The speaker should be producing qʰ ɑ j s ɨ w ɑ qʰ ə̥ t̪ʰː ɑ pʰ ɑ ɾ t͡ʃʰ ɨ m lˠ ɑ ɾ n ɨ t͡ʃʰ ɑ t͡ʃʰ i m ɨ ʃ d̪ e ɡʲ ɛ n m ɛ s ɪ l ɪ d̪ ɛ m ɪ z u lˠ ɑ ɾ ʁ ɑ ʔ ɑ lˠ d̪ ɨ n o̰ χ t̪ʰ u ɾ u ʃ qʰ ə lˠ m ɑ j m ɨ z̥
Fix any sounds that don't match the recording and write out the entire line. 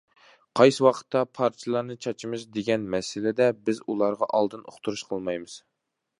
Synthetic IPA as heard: qʰ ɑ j s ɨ w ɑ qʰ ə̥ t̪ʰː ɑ pʰ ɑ ɾ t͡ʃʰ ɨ lˠ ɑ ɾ n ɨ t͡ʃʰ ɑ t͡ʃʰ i m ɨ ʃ d̪ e ɡʲ ɛ n m ɛ s ɪ l ɪ d̪ ɛ b ɪ z u lˠ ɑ ɾ ʁ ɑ ʔ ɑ lˠ d̪ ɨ n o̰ χ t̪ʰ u ɾ u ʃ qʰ ə lˠ m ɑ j m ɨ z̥